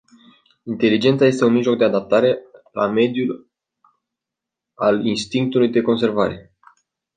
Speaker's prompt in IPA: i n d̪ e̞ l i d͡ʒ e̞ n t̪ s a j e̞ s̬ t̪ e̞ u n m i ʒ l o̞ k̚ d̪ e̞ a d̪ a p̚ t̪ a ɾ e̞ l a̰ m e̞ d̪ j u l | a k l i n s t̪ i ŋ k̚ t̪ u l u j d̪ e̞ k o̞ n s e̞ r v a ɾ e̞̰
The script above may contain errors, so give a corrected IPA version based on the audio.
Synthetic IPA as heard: i n t̪ e̞ l i d͡ʒ e̞ n t̪ s a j e̞ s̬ t̪ e̞ u n m i ʒ l o̞ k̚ d̪ e̞ a d̪ a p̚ t̪ a ɾ e̞ l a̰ m e̞ d̪ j u l | a l i n s t̪ i ŋ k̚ t̪ u l u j d̪ e̞ k o̞ n s e̞ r v a ɾ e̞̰